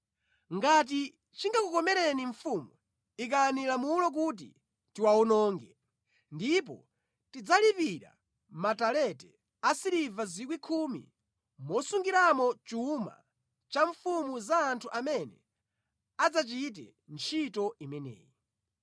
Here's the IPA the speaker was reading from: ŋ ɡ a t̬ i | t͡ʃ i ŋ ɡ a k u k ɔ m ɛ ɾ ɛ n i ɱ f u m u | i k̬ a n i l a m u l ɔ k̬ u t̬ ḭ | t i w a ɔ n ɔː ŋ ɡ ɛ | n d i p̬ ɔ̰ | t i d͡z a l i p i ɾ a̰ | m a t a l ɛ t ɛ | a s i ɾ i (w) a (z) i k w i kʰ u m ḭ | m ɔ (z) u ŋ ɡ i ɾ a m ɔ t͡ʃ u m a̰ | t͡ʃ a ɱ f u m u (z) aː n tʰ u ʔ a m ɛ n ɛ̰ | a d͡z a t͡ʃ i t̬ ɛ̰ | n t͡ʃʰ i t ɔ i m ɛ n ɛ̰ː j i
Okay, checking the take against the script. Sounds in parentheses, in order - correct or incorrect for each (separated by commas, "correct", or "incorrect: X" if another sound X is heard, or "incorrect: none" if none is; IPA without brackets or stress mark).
incorrect: v, correct, incorrect: s, correct